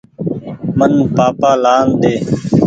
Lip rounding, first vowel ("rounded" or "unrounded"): unrounded